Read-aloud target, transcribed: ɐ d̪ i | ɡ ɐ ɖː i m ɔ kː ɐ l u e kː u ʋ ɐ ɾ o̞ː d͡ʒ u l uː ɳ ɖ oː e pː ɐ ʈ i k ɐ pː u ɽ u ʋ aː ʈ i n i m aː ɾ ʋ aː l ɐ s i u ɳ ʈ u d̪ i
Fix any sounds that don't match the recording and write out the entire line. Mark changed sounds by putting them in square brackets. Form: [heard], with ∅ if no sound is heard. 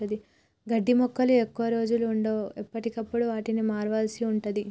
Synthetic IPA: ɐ d̪ i | ɡ ɐ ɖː i m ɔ kː ɐ l u e kː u ʋ ɐ ɾ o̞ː d͡ʒ u l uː ɳ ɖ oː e pː ɐ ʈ i k ɐ pː u ɽ u ʋ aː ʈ i n i m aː ɾ ʋ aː l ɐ s i u ɳ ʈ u d̪ i